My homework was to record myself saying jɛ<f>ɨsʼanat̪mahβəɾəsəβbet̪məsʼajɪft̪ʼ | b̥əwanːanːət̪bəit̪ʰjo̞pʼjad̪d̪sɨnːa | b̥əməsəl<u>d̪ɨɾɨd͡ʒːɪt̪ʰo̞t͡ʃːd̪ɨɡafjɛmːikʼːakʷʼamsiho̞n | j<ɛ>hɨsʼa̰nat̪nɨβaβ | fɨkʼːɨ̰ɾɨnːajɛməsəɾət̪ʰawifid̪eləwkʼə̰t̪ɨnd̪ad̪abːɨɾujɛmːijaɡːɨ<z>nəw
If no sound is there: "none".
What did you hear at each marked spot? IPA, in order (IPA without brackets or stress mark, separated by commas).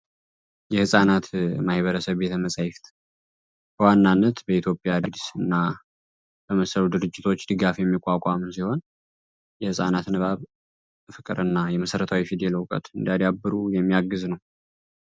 h, u, ɛ, z